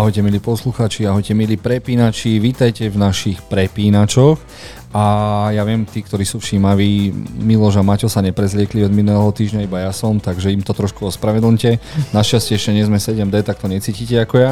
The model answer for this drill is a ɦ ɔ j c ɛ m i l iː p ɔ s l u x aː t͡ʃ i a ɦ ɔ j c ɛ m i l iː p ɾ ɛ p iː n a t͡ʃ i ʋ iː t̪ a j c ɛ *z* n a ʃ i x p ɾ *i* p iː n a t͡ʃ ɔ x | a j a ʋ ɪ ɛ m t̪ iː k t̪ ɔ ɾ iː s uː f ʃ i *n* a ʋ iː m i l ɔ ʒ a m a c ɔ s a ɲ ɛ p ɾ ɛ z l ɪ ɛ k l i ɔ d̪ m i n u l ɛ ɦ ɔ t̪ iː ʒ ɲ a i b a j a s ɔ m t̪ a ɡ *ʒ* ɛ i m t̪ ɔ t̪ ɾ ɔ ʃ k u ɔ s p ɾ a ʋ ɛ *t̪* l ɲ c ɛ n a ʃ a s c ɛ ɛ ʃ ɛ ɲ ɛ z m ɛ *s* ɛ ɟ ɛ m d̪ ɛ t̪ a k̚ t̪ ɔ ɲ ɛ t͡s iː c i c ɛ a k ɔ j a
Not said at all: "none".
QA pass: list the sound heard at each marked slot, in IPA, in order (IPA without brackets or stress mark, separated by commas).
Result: v, ɛ, m, ʒ, d̪, s